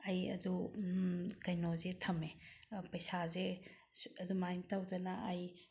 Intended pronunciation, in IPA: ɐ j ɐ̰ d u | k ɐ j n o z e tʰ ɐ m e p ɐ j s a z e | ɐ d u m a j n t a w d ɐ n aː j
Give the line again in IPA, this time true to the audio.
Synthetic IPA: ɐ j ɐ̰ d u | k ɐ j n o z e tʰ ɐ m e p ɐ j s a z e | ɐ d u m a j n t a w d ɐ n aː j